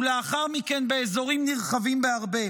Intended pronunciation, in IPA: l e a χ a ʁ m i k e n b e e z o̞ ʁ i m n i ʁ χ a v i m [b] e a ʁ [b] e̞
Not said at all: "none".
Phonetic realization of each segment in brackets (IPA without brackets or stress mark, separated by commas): b, b